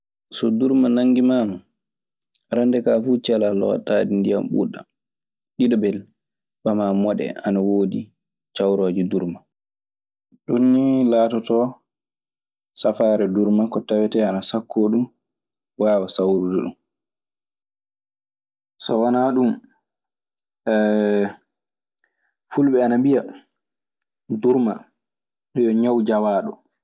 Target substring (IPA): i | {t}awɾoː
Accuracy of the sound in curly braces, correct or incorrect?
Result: incorrect